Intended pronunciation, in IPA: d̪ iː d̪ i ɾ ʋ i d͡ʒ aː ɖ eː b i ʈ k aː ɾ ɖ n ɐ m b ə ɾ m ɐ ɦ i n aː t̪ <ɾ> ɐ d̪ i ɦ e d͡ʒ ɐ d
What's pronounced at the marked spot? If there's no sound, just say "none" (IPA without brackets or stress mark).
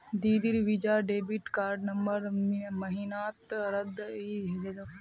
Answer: ɾ